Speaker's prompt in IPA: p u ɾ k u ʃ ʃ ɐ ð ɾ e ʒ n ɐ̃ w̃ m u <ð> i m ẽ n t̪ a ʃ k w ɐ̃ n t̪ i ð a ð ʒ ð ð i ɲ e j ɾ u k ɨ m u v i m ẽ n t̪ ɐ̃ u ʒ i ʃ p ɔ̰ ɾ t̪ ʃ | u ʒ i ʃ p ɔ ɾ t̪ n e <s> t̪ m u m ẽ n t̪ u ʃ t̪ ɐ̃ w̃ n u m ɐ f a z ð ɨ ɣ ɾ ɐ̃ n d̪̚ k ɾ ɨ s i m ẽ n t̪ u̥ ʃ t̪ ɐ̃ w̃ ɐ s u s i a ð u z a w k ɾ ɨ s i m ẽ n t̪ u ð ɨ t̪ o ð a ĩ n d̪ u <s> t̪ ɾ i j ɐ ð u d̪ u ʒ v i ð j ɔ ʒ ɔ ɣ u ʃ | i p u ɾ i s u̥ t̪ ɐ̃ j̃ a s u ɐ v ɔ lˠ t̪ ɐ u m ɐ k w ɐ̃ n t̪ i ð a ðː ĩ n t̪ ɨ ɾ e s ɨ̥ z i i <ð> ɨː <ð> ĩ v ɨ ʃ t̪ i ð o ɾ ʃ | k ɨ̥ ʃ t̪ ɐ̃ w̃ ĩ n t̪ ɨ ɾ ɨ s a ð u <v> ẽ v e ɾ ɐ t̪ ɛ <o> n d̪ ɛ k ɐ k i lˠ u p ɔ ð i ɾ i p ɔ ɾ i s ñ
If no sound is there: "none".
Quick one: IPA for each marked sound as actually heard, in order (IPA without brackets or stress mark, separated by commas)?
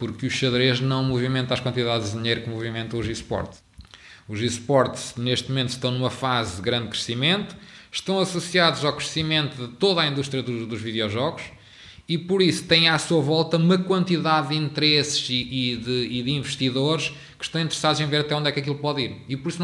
v, ʃ, ʃ, ð, ð, z, õ